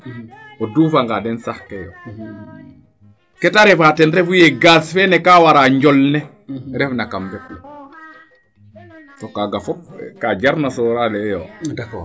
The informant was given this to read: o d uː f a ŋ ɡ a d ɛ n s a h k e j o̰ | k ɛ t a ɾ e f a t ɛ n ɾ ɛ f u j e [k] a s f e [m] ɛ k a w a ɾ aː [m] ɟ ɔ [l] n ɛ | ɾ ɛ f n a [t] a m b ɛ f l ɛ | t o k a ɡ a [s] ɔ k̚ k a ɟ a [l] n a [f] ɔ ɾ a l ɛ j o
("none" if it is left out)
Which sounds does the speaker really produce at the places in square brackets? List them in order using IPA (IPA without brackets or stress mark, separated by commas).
ɡ, n, ɲ, l, k, f, ɾ, s